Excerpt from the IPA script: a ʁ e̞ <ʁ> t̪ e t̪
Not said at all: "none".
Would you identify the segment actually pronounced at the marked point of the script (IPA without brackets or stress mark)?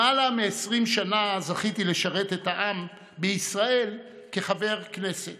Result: none